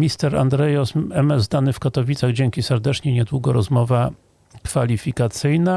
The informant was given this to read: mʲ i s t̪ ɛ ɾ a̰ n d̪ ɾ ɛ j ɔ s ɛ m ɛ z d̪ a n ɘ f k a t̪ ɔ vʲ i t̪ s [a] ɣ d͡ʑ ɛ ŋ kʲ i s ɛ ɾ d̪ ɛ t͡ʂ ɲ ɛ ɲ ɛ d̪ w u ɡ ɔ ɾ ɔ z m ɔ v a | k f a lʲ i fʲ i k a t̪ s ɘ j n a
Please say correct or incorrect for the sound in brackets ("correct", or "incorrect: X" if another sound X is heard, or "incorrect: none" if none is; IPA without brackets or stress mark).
correct